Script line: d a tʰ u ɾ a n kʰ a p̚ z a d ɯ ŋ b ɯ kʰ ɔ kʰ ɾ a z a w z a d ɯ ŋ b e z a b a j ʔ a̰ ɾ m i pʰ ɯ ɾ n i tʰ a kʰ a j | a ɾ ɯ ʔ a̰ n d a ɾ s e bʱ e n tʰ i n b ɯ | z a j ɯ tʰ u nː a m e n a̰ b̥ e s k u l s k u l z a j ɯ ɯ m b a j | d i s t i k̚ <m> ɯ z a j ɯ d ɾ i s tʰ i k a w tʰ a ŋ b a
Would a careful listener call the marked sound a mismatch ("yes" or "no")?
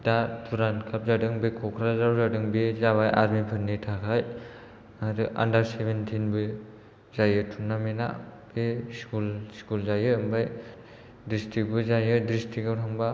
yes